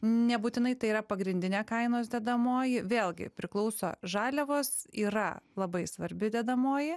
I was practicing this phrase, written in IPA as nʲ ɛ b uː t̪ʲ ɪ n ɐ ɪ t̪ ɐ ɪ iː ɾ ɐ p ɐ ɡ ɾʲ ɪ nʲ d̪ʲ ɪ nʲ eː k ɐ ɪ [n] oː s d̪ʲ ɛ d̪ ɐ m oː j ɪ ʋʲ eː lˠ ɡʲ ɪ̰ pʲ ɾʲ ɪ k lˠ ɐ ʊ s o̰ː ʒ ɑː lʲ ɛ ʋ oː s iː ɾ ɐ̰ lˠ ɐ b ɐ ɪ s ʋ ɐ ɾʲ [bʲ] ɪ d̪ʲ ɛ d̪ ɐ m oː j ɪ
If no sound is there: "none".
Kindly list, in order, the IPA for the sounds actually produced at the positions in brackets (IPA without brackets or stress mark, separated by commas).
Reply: n, bʲ